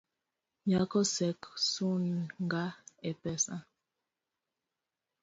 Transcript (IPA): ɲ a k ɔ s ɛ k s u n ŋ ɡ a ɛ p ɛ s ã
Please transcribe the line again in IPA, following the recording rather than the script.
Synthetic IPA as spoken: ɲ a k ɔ s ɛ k s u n ŋ ɡ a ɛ p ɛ s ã